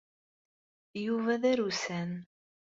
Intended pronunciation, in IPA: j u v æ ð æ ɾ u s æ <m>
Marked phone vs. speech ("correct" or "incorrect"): incorrect